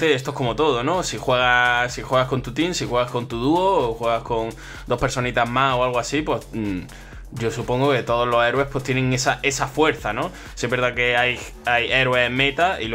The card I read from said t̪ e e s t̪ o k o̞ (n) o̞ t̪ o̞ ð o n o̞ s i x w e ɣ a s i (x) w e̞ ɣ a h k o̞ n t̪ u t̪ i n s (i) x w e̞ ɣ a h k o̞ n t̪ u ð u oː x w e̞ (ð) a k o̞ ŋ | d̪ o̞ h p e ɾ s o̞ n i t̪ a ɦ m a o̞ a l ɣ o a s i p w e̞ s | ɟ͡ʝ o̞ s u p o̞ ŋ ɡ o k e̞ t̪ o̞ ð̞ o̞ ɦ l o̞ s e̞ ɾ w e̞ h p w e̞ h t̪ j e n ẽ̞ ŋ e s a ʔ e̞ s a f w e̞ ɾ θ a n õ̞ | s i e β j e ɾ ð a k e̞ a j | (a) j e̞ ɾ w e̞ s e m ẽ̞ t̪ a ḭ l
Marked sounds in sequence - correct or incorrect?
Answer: incorrect, correct, correct, incorrect, correct

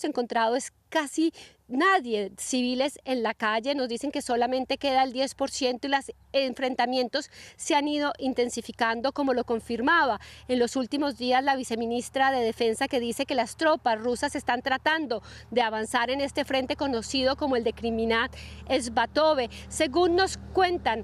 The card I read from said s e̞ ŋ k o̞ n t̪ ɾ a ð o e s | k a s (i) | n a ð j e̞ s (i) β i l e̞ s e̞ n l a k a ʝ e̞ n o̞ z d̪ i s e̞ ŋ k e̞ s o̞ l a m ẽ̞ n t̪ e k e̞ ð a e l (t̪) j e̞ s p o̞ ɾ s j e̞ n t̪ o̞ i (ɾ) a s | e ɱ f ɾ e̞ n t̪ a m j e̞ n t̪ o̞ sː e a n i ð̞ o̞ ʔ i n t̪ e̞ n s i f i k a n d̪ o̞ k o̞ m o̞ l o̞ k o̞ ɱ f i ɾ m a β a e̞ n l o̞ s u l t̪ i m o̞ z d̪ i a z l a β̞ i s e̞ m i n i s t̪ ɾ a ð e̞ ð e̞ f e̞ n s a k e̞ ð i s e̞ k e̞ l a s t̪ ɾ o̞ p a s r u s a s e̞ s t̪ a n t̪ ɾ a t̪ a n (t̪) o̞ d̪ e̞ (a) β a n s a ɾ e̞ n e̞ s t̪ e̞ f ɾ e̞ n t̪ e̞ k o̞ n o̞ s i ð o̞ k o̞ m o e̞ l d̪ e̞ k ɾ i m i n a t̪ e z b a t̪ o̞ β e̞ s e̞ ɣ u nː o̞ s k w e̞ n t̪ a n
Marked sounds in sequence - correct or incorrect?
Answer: correct, correct, incorrect, incorrect, incorrect, correct

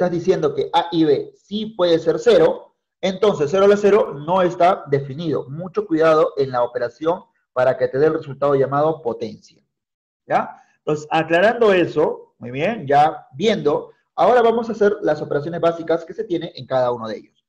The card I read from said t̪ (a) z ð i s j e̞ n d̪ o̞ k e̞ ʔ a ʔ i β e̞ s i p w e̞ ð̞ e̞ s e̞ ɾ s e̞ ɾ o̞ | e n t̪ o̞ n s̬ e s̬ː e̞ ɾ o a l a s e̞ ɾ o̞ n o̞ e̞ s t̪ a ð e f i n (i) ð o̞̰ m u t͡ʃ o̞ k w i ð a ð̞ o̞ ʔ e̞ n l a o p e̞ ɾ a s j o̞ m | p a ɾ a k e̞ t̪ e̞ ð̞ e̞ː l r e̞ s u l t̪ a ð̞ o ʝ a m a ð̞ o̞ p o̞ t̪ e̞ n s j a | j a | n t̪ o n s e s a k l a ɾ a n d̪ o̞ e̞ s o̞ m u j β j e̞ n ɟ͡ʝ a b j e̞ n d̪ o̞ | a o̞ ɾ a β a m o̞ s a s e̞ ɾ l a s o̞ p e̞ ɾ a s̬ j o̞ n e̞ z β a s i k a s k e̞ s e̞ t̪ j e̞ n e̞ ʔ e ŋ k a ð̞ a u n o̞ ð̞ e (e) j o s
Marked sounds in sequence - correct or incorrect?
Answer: correct, correct, correct

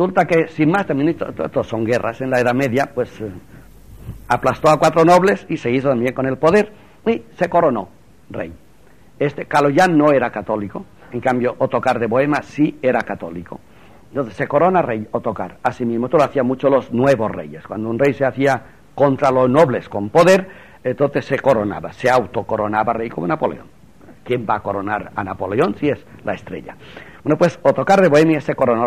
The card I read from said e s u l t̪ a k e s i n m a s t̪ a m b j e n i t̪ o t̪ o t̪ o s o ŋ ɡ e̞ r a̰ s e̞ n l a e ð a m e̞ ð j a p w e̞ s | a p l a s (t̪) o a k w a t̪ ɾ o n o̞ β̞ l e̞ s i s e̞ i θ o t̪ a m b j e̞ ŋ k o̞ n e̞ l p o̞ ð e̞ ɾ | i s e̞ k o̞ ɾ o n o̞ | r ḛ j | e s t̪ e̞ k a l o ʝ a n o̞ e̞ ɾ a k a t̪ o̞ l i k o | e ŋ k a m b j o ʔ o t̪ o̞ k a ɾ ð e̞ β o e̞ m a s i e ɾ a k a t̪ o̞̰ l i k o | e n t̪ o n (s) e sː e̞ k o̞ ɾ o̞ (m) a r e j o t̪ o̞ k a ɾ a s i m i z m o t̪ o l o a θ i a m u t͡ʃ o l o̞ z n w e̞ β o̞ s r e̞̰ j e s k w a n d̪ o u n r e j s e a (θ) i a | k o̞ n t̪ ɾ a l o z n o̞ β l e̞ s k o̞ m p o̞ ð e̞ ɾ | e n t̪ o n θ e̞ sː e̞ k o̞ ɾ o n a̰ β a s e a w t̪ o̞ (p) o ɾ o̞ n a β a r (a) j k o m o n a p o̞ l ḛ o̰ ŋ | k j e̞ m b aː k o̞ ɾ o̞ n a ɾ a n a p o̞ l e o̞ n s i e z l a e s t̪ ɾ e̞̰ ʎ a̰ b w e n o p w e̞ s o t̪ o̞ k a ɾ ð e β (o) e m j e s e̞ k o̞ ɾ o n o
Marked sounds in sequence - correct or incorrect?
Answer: correct, incorrect, incorrect, correct, incorrect, incorrect, correct

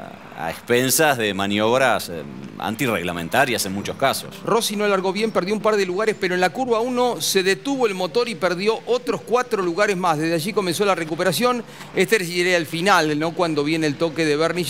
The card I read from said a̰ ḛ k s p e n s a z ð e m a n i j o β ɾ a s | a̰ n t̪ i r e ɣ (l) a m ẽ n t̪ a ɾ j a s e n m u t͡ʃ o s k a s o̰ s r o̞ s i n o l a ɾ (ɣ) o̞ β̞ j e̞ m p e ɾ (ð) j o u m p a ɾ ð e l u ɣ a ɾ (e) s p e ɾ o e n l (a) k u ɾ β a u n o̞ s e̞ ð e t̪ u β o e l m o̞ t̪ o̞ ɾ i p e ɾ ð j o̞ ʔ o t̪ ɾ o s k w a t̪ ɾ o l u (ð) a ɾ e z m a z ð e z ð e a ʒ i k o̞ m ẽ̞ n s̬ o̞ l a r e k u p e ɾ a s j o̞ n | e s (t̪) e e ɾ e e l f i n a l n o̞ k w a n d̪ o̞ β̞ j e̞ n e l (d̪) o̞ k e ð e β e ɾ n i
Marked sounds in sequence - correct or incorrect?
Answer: correct, correct, correct, correct, correct, incorrect, correct, incorrect

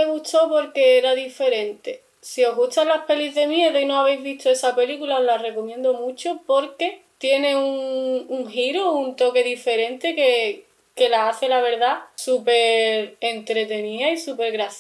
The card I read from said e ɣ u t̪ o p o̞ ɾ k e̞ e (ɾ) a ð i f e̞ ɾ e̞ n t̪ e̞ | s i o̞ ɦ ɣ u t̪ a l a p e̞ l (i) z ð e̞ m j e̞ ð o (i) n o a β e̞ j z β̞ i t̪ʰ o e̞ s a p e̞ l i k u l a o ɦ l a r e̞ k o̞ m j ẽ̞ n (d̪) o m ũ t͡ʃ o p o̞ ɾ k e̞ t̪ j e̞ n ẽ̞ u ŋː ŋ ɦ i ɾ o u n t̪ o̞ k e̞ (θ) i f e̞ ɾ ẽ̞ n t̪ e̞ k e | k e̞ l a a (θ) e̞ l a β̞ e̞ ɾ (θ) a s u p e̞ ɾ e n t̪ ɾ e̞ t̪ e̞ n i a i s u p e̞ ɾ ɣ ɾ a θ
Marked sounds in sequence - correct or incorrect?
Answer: correct, correct, correct, correct, incorrect, correct, incorrect

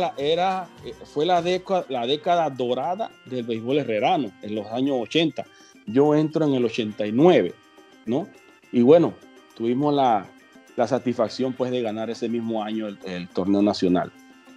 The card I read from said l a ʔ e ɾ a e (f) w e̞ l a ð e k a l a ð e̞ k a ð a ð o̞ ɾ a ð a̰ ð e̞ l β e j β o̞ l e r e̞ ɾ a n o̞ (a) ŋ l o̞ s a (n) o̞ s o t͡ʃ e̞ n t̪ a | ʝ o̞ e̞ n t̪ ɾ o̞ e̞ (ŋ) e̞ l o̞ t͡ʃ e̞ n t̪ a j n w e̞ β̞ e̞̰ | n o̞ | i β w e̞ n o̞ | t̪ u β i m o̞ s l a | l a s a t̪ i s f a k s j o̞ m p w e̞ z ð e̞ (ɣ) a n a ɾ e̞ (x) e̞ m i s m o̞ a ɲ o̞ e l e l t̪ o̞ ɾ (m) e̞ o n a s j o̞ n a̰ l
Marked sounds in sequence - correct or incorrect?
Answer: correct, incorrect, incorrect, correct, correct, incorrect, incorrect

